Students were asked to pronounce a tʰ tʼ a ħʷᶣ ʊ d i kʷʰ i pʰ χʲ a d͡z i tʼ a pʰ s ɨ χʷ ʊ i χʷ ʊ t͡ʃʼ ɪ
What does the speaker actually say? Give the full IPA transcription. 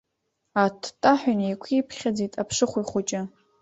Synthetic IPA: a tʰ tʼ a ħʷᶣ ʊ n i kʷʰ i pʰ χʲ a d͡z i tʼ a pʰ ʂ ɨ χʷ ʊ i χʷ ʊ t͡ʃʼ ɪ